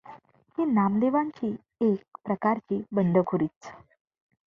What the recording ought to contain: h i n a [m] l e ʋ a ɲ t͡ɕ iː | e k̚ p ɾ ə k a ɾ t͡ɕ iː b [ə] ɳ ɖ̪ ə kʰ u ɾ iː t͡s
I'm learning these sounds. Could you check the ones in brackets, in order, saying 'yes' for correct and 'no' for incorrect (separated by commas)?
yes, yes